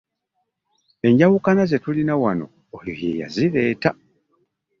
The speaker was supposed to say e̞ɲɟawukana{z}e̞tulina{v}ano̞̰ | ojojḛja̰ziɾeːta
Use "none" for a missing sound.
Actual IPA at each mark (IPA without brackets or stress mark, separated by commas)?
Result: z, w